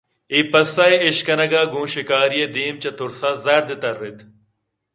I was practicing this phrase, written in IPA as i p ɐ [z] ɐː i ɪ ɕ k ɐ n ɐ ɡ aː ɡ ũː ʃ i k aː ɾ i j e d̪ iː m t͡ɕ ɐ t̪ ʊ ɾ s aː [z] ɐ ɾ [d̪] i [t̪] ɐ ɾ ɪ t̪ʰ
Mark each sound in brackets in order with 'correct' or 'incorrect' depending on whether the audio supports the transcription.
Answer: incorrect, correct, correct, correct

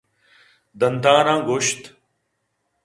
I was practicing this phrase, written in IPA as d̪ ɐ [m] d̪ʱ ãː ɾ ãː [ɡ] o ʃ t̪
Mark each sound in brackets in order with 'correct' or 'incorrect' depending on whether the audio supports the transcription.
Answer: incorrect, correct

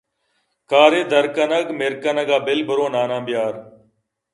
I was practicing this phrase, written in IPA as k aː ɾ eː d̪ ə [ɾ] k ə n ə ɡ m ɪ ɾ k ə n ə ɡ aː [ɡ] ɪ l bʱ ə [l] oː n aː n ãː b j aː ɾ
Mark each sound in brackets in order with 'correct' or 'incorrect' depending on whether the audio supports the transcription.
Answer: correct, incorrect, incorrect

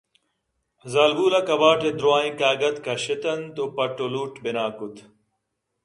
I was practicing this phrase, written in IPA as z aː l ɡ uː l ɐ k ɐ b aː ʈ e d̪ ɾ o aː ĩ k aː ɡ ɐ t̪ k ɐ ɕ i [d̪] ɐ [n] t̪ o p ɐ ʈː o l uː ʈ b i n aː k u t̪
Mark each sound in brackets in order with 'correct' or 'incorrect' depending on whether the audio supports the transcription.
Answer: incorrect, correct

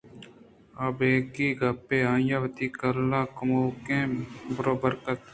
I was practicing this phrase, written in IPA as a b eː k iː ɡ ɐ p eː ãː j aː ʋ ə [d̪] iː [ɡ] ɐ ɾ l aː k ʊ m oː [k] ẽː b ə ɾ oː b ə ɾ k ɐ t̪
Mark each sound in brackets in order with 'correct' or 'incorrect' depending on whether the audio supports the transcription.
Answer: incorrect, incorrect, correct

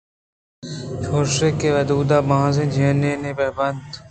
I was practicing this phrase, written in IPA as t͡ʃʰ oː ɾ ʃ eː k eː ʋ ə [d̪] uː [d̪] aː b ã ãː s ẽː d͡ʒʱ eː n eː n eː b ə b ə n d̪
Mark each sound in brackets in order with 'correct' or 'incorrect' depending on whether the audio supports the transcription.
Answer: correct, correct

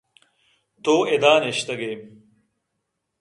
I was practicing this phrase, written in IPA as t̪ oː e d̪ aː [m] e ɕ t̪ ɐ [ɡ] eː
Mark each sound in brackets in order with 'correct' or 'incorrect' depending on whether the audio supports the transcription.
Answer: incorrect, correct

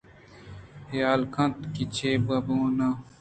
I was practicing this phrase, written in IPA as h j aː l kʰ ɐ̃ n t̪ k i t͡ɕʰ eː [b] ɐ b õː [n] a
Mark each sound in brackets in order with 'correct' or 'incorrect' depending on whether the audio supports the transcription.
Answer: correct, correct

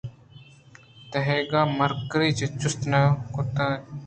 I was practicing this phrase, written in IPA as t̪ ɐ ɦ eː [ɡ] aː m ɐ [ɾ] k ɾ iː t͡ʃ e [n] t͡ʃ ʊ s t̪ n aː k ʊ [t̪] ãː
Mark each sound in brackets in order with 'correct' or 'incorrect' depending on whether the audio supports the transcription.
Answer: correct, correct, incorrect, correct

